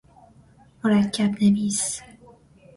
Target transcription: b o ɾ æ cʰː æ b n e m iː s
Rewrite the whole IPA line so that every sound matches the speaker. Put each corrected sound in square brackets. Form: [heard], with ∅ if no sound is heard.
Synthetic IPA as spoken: [m] o ɾ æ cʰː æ b n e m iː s